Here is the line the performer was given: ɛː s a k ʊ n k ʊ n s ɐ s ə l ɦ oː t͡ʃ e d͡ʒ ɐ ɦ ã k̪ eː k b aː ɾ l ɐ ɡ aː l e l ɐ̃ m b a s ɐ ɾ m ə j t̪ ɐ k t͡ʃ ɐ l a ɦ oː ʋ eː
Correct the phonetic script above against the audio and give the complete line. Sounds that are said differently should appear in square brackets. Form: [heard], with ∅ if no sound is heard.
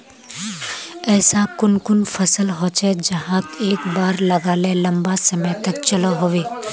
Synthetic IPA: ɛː s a k ʊ n k ʊ n [f] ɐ s ə l ɦ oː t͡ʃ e d͡ʒ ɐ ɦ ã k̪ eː k b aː ɾ l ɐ ɡ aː l e l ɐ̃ m b a s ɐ [∅] m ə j t̪ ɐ k t͡ʃ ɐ l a ɦ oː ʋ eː